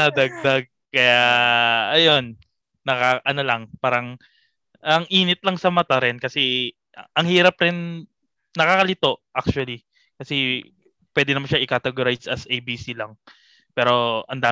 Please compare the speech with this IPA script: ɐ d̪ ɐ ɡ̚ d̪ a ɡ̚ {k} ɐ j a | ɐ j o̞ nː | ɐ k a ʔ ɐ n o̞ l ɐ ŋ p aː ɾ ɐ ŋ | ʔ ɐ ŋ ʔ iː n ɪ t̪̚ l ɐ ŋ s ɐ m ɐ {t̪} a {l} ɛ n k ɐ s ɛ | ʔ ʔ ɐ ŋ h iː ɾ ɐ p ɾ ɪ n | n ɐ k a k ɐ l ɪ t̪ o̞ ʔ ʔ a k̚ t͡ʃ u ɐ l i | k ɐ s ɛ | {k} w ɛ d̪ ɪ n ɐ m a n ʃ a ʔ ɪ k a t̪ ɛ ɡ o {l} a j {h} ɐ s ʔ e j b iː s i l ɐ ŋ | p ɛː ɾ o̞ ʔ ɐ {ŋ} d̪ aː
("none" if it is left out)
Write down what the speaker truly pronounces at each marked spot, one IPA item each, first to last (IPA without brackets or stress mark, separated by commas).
k, t̪, ɾ, p, ɾ, s, n